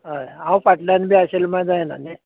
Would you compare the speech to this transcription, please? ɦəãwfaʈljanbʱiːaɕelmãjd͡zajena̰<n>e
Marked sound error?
no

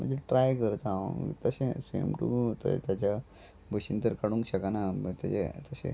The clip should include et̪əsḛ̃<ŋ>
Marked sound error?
yes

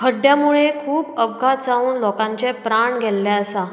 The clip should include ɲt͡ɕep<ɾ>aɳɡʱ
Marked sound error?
no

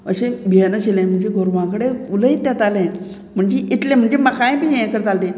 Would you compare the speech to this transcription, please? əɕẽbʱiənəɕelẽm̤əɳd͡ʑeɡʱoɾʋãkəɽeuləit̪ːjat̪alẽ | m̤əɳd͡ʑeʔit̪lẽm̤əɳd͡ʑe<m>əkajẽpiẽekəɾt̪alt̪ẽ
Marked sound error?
no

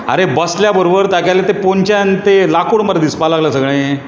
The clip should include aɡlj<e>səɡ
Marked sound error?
yes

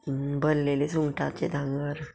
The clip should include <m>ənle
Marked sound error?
yes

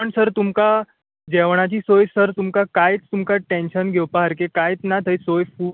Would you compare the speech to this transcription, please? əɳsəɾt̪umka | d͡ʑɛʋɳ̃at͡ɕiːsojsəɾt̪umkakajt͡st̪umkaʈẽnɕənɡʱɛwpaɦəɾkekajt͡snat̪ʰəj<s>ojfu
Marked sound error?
no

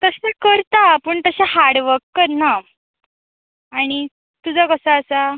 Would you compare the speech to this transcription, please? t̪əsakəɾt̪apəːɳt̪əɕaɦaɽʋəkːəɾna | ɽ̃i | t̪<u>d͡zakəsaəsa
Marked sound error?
no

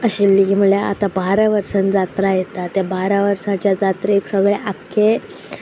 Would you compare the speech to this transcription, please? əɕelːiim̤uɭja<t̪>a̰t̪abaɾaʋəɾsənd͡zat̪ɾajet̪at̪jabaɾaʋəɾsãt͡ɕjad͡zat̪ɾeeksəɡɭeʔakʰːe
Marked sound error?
yes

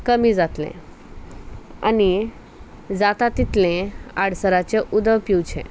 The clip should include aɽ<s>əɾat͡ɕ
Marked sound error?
no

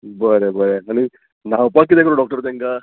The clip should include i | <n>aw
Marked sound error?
no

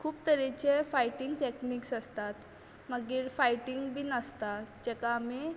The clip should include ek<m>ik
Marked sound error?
yes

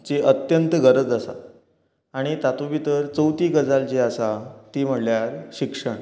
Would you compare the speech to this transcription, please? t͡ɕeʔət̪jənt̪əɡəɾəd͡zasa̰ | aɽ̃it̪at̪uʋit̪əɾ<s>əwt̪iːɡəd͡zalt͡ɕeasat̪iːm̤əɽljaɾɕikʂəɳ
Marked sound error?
yes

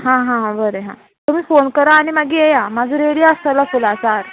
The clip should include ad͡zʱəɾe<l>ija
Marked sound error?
yes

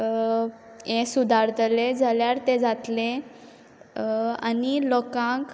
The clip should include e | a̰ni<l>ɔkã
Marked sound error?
no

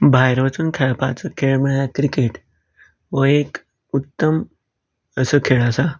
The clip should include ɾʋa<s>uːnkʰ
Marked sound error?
yes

